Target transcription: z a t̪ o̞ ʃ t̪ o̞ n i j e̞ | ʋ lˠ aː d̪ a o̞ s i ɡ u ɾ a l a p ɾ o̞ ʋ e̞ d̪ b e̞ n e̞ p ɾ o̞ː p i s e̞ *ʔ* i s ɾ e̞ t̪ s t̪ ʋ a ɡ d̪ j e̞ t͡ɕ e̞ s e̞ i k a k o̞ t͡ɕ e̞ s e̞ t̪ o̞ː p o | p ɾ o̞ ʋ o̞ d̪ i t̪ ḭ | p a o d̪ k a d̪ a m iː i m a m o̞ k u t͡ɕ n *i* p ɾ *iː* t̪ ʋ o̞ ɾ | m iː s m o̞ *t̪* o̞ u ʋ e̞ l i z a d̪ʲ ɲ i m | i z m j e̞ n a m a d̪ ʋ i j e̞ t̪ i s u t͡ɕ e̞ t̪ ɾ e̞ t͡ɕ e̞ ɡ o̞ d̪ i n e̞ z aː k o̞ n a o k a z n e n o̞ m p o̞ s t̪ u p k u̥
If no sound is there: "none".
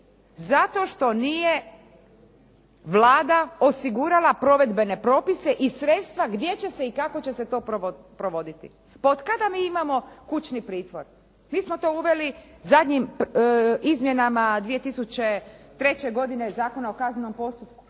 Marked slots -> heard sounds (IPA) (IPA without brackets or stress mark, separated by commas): ʔ, i, iː, t̪